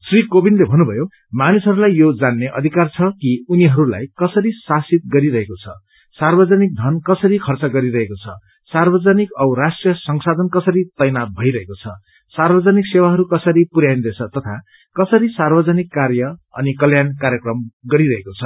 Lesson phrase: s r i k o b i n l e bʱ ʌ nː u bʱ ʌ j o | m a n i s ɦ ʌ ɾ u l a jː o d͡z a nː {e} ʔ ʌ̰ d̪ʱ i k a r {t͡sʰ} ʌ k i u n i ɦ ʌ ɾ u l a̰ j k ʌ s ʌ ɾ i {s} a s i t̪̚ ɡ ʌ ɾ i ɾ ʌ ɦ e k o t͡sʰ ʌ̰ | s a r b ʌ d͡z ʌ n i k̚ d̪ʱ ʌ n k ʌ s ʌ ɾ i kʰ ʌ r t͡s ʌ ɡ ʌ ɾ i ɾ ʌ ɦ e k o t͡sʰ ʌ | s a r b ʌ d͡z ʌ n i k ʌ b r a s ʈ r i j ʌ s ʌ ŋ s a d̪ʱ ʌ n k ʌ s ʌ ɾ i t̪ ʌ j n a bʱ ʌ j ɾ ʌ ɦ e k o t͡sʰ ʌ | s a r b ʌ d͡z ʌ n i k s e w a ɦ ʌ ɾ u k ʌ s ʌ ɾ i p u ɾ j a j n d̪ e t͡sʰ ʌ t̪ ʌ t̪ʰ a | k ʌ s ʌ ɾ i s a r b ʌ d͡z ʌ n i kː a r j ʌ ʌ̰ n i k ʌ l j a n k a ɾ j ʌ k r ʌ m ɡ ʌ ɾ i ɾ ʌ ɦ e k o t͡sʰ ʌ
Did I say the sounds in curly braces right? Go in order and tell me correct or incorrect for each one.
correct, correct, correct

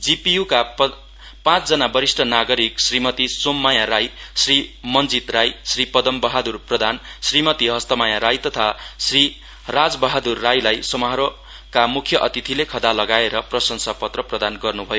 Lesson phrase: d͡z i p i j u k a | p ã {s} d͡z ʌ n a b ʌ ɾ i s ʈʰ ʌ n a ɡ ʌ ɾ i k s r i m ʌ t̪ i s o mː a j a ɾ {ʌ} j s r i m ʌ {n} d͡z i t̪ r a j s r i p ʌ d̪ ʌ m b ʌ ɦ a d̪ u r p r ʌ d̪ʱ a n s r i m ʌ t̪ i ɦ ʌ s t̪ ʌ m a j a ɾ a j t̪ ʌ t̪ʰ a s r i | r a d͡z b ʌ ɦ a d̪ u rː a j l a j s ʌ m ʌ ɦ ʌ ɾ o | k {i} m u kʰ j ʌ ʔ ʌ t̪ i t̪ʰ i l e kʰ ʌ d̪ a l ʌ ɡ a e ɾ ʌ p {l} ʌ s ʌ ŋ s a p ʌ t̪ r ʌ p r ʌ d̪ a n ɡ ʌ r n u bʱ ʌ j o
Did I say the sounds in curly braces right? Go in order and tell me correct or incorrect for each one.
incorrect, incorrect, correct, incorrect, incorrect

